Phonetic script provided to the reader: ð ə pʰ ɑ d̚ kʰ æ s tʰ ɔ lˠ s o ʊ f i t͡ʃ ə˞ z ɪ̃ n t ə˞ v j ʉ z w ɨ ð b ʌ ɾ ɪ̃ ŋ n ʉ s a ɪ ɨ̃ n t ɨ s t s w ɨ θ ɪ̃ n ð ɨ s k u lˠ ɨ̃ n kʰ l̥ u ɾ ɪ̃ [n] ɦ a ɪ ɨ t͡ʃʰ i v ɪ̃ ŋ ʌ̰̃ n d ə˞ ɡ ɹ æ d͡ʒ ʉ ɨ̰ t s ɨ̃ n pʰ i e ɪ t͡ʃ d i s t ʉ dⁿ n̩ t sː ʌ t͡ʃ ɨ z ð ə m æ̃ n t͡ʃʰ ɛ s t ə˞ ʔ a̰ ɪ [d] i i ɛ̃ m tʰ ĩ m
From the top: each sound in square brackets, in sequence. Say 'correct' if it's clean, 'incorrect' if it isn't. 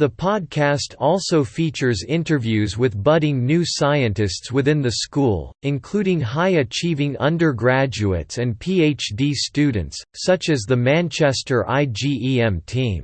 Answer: incorrect: ŋ, incorrect: d͡ʒ

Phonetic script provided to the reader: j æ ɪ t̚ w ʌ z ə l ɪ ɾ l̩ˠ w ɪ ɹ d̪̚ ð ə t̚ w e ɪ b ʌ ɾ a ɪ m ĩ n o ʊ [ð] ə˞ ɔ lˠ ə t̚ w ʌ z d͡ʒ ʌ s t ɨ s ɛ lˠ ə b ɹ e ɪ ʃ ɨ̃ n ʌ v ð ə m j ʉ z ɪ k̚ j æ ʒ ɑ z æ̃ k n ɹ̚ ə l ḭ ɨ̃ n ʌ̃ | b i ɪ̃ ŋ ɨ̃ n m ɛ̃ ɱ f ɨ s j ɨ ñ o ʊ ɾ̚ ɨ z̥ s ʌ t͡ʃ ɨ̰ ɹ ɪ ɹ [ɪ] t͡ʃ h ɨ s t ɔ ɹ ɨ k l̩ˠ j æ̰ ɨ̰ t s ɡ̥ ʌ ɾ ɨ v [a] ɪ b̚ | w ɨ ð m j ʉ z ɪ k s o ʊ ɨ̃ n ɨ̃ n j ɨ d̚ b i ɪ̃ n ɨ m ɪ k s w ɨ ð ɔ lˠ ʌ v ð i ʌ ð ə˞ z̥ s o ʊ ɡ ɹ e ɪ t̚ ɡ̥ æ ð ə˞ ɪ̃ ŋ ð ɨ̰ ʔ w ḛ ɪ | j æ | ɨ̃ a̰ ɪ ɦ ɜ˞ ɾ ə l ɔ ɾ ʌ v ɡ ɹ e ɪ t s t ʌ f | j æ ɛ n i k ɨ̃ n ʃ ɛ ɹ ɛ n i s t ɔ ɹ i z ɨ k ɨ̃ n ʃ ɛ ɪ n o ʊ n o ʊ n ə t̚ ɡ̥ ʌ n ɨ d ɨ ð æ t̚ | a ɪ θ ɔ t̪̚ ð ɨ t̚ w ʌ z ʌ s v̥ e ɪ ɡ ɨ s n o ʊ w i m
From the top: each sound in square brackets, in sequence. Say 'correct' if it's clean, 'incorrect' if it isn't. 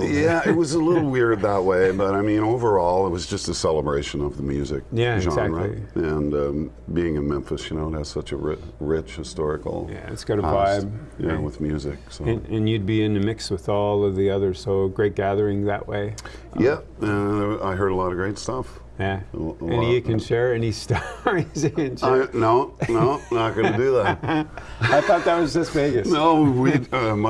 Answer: incorrect: v, correct, correct

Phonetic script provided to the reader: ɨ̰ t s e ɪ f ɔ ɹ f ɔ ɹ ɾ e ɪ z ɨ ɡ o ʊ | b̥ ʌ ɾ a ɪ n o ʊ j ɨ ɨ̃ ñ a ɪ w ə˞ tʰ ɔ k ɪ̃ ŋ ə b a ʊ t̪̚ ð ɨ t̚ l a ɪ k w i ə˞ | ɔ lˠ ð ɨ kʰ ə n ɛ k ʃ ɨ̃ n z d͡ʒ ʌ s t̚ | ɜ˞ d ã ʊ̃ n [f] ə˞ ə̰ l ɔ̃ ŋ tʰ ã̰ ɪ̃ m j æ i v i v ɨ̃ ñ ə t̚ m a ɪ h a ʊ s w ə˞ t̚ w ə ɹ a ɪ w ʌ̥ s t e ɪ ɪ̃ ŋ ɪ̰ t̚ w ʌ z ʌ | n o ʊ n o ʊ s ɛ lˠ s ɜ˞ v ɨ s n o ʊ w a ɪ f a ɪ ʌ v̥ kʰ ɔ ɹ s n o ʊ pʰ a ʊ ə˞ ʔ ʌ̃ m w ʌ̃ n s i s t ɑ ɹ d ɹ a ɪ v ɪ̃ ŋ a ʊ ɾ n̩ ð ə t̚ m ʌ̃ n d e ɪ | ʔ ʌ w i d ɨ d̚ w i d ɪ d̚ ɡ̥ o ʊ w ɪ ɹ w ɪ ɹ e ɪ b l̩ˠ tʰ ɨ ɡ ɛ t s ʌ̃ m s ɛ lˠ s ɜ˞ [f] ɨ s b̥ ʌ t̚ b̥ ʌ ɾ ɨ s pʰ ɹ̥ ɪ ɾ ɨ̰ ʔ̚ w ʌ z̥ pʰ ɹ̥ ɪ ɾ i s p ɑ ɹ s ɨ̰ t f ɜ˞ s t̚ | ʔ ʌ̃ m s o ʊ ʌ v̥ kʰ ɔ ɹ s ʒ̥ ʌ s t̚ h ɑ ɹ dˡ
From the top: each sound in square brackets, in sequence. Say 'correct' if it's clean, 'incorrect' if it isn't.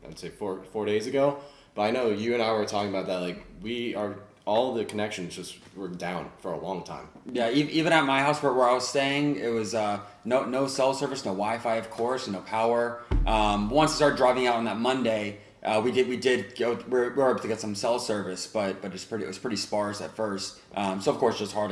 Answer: correct, incorrect: v

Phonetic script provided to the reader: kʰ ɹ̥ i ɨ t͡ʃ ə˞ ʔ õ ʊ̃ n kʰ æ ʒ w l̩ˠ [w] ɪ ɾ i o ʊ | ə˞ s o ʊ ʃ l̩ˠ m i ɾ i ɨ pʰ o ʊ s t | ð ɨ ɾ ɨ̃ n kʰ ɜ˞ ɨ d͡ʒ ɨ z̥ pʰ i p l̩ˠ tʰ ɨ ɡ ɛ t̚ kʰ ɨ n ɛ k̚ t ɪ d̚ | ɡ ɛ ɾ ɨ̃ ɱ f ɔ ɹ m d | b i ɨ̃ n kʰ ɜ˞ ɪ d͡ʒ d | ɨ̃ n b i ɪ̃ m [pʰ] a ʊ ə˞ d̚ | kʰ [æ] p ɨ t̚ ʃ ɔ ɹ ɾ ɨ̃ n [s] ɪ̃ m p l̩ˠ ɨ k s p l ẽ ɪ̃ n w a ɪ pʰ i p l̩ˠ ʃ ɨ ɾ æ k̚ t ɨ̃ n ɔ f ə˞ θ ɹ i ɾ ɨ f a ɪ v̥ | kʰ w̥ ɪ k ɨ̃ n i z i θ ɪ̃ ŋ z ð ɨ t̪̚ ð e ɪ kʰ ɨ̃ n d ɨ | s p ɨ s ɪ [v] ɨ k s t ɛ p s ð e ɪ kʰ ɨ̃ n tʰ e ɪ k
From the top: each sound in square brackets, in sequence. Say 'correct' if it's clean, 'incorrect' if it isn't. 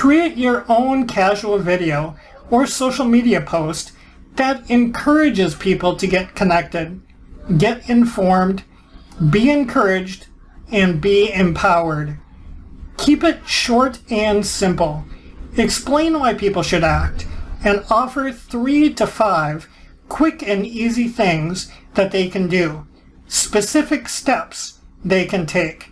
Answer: incorrect: v, correct, incorrect: i, correct, incorrect: f

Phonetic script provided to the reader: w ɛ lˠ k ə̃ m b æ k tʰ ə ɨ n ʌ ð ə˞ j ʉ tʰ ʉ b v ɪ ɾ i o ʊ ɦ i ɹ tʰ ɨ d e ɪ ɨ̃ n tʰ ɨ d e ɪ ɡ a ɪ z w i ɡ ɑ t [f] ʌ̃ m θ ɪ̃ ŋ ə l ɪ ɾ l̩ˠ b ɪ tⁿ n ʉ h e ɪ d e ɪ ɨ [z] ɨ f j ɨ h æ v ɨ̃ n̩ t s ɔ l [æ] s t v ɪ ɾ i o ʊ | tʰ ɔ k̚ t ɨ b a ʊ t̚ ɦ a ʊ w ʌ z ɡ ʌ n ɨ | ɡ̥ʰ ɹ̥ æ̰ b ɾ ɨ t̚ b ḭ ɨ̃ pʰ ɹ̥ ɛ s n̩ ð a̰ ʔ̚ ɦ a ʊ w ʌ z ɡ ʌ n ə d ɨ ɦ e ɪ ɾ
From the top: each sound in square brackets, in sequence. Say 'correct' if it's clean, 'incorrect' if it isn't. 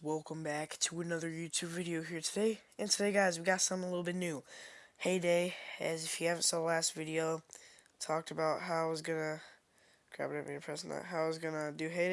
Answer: incorrect: s, correct, correct

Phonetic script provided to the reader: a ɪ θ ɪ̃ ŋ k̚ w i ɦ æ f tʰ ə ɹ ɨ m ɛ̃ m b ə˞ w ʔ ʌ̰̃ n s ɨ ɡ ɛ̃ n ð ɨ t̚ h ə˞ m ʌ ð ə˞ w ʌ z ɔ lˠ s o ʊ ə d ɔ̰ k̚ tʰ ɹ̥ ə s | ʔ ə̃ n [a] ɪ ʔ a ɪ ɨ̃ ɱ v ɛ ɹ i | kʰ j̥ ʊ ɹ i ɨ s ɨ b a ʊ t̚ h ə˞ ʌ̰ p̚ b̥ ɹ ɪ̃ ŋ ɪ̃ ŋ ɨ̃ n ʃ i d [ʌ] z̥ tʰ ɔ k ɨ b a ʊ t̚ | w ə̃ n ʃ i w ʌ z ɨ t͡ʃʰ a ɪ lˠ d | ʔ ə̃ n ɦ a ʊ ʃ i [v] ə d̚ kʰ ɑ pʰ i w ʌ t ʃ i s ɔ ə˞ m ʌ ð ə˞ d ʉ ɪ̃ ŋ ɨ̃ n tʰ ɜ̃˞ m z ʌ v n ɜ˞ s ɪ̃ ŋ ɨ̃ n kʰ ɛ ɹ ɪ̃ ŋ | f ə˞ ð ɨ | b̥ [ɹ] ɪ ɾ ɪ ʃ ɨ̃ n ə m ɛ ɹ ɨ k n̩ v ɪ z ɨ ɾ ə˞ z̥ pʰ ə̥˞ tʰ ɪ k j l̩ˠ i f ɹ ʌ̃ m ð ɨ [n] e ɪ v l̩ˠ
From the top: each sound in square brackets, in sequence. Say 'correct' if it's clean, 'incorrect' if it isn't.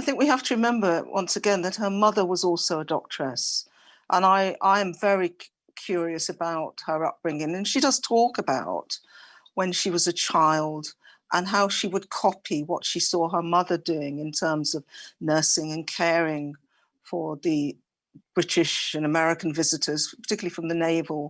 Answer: correct, correct, incorrect: w, correct, correct

